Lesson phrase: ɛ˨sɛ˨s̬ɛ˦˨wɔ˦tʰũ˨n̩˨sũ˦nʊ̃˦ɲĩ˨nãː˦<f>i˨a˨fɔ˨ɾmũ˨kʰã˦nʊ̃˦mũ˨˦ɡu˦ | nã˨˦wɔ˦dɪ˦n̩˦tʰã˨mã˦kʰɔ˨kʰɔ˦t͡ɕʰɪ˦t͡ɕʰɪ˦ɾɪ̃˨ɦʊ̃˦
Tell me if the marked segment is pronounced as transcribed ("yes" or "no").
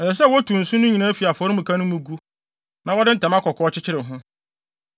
yes